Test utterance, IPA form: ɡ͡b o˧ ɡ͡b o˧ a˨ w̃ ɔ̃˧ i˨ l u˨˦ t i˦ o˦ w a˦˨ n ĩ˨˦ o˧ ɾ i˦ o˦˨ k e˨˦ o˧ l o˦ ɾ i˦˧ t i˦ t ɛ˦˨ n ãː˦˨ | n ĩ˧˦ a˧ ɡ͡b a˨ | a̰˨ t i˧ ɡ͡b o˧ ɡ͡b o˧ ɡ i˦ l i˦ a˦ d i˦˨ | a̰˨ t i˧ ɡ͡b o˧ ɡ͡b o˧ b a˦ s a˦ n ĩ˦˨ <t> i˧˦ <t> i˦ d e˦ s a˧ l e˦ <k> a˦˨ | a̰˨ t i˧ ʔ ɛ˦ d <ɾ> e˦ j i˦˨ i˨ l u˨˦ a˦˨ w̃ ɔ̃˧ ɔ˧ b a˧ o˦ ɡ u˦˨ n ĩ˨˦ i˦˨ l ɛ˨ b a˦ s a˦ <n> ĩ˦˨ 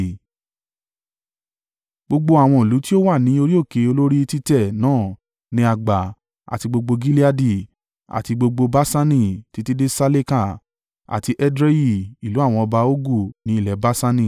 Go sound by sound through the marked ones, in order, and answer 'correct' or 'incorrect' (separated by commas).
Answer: correct, correct, correct, correct, correct